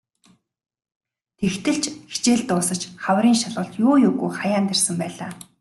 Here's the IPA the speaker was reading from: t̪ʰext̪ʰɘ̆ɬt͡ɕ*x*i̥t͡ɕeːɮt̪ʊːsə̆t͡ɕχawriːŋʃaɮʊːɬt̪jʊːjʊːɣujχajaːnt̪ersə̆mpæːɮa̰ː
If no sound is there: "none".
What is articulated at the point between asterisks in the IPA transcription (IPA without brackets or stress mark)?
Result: x